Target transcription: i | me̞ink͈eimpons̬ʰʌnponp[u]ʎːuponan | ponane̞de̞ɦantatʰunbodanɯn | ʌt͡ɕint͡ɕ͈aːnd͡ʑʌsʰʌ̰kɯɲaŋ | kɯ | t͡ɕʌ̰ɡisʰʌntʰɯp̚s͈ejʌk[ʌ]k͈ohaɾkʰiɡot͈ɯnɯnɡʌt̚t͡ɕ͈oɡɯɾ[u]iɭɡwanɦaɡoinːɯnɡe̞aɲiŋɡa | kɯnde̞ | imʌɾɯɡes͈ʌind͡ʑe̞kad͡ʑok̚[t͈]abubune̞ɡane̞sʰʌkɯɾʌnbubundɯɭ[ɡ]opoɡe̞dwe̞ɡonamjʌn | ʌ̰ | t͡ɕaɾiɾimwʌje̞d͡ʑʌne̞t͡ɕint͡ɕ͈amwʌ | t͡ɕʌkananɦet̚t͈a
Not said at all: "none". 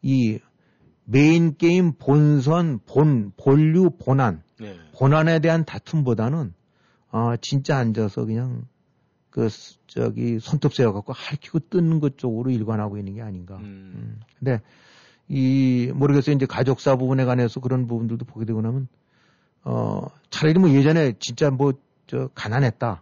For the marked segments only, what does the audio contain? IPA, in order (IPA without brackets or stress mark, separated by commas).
o, a, o, s͈, d